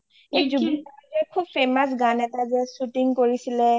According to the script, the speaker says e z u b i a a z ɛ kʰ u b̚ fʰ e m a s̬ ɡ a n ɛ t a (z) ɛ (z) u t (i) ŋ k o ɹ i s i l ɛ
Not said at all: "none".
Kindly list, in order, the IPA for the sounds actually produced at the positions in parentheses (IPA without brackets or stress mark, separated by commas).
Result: z, s, i